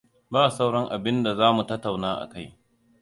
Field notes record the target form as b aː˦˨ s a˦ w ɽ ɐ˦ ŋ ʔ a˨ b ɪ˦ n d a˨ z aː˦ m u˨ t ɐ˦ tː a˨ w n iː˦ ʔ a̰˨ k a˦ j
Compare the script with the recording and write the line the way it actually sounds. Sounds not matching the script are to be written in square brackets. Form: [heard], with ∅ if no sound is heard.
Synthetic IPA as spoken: b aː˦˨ s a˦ w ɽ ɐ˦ ŋ ʔ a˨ b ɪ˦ n d a˨ z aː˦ m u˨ t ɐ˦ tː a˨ w n [aː˦] ʔ a̰˨ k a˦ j